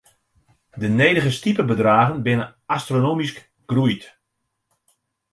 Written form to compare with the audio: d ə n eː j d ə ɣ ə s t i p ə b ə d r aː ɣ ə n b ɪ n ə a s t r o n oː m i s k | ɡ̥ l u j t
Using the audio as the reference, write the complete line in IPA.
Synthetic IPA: d ə n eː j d ə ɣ ə s t i p ə b ə d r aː ɣ ə n b ɪ n ə a s t r o n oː m i s k | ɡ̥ r u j t